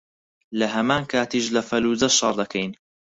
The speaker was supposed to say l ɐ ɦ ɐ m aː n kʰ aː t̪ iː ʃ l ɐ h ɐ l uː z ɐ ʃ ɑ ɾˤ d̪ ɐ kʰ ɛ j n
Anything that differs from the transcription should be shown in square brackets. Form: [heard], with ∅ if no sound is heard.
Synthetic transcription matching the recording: l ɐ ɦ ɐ m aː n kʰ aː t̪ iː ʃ l ɐ [f] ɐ l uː z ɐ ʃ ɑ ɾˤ d̪ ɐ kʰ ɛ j n